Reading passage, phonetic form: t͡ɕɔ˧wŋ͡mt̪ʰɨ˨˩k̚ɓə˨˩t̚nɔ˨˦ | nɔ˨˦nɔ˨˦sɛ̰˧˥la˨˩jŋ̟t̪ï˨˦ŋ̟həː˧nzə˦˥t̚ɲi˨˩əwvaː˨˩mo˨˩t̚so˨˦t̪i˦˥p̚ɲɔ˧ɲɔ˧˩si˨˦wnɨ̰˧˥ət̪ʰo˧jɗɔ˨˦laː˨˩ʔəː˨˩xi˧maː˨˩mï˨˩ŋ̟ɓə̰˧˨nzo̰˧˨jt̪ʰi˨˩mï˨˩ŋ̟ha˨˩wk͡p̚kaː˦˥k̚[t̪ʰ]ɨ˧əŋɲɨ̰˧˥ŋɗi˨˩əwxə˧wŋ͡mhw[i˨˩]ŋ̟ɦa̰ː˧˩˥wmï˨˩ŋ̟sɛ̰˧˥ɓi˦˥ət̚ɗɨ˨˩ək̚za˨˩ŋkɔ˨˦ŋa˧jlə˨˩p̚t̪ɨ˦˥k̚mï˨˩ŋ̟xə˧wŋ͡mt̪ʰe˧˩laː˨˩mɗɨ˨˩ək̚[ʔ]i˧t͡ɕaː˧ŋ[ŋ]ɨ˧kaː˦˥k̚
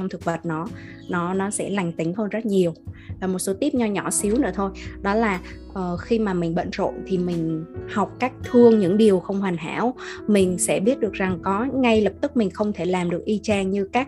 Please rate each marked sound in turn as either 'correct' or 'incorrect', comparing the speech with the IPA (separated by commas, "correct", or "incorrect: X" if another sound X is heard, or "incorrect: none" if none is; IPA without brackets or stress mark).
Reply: correct, incorrect: a˨˩, correct, incorrect: ɲ